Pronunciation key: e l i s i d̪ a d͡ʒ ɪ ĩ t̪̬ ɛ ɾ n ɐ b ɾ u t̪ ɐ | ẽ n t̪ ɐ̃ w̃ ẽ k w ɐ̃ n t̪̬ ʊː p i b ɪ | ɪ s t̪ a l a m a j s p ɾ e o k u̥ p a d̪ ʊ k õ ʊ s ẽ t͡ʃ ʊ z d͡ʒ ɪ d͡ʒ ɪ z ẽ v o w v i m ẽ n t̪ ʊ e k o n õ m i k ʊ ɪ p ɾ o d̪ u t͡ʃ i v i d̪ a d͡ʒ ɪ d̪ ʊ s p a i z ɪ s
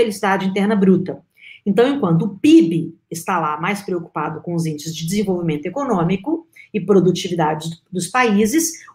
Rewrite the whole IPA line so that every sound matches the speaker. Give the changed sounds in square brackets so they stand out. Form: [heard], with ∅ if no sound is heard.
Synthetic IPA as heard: e l i s i d̪ a d͡ʒ ɪ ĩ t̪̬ ɛ ɾ n ɐ b ɾ u t̪ ɐ | ẽ n t̪ ɐ̃ w̃ ẽ k w ɐ̃ n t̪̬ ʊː p i b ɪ | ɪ s t̪ a l a m a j s p ɾ e o k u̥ p a d̪ ʊ k õ ʊ [z] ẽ t͡ʃ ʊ z d͡ʒ ɪ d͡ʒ ɪ z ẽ v o w v i m ẽ n t̪ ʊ e k o n õ m i k ʊ ɪ p ɾ o d̪ u t͡ʃ i v i d̪ a d͡ʒ ɪ d̪ ʊ s p a i z ɪ s